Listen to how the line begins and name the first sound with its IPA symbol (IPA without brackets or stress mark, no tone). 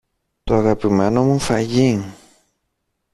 t̪